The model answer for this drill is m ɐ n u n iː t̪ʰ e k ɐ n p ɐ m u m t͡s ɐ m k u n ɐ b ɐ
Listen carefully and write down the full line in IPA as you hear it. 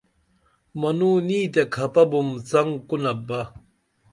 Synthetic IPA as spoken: m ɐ n u n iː t̪ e kʰ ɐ p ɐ b u m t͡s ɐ ŋ k u n ɐ b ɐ